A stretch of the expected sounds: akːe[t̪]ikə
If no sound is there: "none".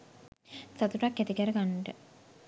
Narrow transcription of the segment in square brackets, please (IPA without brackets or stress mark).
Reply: t̪